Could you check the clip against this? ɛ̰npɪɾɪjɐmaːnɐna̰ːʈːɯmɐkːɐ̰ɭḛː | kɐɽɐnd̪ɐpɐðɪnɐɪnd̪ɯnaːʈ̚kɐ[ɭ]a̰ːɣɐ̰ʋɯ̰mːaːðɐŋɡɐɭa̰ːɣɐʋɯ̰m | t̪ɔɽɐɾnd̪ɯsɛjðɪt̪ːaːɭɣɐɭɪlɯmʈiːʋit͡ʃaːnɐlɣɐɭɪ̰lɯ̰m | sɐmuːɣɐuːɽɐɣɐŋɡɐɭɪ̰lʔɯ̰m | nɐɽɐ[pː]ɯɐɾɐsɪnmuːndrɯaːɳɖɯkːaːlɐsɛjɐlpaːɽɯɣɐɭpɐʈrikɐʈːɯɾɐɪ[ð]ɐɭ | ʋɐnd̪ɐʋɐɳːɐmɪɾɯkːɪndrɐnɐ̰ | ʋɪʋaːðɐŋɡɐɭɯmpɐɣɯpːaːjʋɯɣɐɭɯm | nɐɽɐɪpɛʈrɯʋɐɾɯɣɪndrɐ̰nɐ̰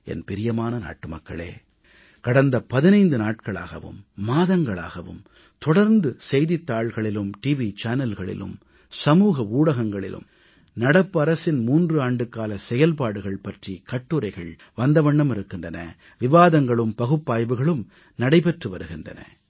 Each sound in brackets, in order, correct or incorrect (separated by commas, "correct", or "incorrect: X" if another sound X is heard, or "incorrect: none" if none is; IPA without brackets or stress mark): correct, correct, incorrect: ɣ